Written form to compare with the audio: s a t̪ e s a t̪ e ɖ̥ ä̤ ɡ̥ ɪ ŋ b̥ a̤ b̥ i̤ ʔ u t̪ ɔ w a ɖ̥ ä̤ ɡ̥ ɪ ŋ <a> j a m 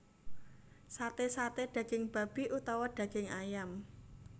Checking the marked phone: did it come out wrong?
no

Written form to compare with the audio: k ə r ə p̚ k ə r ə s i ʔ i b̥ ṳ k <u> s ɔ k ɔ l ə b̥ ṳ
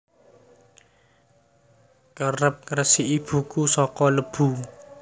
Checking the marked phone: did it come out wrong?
no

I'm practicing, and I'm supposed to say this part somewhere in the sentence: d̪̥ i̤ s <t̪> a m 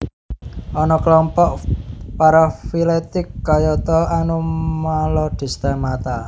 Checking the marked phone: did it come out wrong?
no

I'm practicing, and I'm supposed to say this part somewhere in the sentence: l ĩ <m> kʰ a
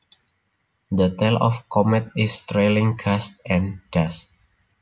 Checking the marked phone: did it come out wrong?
yes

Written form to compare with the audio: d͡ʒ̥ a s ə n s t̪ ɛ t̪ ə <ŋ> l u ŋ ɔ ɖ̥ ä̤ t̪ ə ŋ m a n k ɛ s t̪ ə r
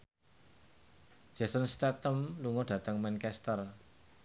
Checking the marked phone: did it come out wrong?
yes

